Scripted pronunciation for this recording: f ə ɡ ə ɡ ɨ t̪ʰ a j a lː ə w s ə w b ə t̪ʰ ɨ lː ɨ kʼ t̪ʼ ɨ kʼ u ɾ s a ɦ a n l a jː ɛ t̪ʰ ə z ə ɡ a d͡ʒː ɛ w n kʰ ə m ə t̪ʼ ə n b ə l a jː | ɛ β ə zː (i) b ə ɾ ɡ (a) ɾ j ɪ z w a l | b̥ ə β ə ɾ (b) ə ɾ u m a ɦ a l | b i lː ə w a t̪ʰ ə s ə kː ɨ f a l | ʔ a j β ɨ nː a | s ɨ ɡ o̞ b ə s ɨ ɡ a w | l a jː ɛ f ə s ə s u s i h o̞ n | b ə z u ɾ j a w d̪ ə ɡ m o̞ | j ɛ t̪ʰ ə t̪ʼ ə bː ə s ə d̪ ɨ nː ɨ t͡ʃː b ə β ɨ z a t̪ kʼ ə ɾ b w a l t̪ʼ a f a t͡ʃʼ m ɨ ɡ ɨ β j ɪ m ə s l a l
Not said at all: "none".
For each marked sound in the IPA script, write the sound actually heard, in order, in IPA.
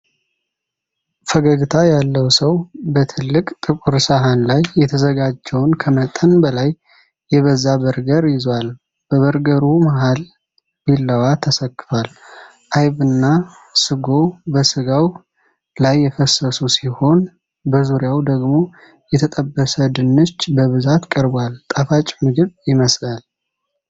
a, ə, ɡ

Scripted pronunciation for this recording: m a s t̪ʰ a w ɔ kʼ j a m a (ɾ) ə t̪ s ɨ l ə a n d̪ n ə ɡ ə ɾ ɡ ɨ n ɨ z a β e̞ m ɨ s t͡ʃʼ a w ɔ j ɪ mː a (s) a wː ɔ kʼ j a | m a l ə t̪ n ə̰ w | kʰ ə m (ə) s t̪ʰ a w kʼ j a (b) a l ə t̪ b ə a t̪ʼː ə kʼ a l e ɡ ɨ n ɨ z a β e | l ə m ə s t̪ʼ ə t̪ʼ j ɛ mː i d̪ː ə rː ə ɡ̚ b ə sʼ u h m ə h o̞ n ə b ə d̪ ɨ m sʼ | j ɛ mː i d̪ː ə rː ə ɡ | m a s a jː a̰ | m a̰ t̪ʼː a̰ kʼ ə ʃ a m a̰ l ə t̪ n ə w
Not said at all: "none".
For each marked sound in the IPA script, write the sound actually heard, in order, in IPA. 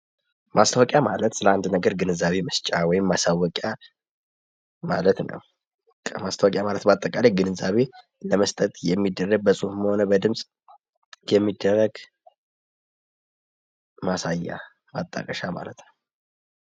l, s, a, m

